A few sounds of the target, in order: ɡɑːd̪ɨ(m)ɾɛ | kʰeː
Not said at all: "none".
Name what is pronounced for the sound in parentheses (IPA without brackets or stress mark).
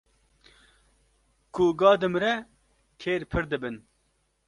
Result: m